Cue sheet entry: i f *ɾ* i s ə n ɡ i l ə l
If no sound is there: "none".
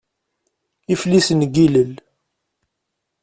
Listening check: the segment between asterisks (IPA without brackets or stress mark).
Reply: l